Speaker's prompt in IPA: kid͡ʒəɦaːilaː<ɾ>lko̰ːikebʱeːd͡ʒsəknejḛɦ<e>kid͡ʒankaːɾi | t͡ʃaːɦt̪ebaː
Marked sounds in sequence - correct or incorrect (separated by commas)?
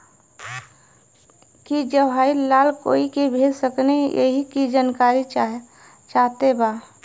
incorrect, incorrect